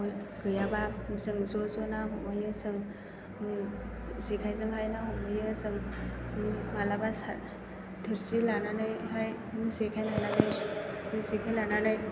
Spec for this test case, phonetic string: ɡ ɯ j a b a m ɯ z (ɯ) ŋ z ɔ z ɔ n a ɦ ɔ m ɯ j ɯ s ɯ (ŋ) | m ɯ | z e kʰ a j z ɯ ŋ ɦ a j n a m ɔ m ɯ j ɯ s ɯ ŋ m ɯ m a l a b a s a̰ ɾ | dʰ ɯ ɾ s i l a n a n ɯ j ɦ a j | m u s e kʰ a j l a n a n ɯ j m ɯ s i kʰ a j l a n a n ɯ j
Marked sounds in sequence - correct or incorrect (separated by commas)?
correct, correct